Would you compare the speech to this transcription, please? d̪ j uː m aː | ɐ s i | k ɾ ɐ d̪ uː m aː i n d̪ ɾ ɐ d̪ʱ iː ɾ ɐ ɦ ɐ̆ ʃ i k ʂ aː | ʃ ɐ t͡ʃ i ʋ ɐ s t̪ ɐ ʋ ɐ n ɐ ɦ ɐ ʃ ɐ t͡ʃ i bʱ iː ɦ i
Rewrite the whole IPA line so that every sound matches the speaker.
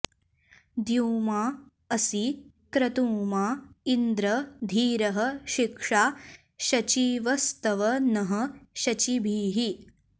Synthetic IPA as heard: d̪ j uː m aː | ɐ s i | k ɾ ɐ t̪ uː m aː i n d̪ ɾ ɐ d̪ʱ iː ɾ ɐ ɦ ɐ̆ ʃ i k ʂ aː | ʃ ɐ t͡ʃ i ʋ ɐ s t̪ ɐ ʋ ɐ n ɐ ɦ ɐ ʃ ɐ t͡ʃ i bʱ iː ɦ i